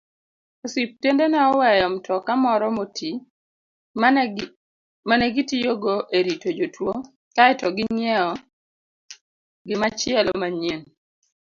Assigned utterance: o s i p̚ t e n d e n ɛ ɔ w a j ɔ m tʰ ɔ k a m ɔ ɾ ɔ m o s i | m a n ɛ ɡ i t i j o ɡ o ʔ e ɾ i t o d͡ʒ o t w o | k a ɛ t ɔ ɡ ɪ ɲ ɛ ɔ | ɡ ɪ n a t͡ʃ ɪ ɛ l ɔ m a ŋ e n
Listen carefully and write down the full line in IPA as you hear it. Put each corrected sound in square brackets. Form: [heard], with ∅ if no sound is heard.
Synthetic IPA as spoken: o s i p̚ t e n d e n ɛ ɔ w [ɛ] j ɔ m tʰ ɔ k a m ɔ ɾ ɔ m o [t] i | m a n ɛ ɡ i t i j o ɡ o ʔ e ɾ i t o d͡ʒ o t w o | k a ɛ t ɔ ɡ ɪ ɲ ɛ ɔ | ɡ ɪ [m] a t͡ʃ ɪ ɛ l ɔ m a [ɲ] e n